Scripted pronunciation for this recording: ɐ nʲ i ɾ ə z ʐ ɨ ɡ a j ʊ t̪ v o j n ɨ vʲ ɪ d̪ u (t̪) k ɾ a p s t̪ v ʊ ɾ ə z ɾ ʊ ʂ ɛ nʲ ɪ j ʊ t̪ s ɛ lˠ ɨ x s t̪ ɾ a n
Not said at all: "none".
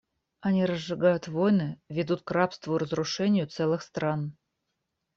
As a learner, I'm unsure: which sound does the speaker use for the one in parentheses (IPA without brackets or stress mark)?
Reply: t̪